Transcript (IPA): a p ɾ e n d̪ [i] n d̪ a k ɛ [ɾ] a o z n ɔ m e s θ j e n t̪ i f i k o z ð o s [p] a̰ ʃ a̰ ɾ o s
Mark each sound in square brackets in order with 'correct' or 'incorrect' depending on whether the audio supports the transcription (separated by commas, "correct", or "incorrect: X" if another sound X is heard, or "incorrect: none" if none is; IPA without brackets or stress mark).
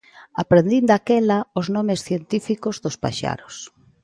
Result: correct, incorrect: l, correct